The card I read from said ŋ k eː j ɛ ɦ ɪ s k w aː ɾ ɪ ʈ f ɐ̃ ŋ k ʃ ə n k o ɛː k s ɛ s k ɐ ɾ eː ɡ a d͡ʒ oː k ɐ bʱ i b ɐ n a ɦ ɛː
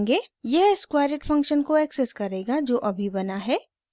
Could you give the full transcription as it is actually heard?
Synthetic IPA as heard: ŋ ɡ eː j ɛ ɦ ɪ s k w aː ɾ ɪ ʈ f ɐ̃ ŋ k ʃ ə n k o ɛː k s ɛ s k ɐ ɾ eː ɡ a d͡ʒ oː ʔ ɐ bʱ i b ɐ n a ɦ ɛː